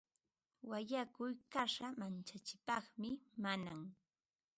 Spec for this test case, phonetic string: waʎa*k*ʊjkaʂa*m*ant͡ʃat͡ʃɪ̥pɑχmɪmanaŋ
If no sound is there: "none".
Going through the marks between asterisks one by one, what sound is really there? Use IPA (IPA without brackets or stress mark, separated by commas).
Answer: k, m